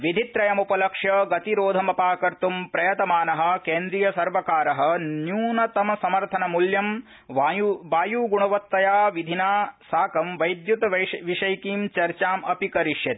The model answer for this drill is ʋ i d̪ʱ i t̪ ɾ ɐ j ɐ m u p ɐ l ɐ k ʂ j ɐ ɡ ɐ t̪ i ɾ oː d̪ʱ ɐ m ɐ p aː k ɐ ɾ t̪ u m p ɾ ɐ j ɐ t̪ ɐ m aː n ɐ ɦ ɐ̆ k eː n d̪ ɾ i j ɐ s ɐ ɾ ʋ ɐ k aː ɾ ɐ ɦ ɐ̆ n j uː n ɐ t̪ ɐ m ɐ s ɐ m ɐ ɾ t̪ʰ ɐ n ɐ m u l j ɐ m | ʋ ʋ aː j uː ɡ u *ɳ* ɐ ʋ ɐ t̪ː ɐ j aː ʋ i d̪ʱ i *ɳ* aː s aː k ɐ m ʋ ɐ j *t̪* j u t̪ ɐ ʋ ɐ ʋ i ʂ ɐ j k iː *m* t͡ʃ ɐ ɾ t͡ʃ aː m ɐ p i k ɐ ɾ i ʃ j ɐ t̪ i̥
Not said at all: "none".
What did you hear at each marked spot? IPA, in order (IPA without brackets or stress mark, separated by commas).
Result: ɳ, n, d̪, m